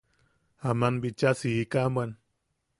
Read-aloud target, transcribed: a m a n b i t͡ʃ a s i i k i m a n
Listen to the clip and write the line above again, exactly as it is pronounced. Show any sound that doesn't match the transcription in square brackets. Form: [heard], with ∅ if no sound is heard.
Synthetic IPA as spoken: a m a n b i t͡ʃ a s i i k [a] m a n